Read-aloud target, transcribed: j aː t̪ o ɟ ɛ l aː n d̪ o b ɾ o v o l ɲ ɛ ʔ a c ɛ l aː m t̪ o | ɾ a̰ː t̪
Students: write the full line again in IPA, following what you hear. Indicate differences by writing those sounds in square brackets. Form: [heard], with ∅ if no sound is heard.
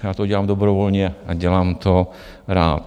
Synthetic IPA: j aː t̪ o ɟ ɛ l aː [m] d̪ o b ɾ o v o l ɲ ɛ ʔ a [ɟ] ɛ l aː m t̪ o | ɾ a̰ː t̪